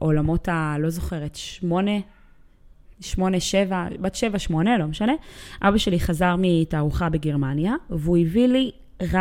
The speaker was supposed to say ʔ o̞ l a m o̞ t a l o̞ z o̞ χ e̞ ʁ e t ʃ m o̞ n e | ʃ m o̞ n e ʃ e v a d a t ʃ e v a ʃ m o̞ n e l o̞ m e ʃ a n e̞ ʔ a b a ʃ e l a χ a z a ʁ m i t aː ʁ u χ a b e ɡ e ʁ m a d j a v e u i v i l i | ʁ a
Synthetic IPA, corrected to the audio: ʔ o̞ l a m o̞ t a l o̞ z o̞ χ e̞ ʁ e t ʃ m o̞ n e | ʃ m o̞ n e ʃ e v a b a t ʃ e v a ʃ m o̞ n e l o̞ m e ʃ a n e̞ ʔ a b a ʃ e l i χ a z a ʁ m i t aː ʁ u χ a b e ɡ e ʁ m a n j a v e u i v i l i | ʁ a